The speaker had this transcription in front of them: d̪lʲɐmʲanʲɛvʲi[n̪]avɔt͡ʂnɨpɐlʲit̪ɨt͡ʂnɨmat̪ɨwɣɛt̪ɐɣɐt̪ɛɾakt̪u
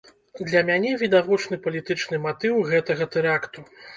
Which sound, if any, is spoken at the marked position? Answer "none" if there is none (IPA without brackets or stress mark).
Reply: d̪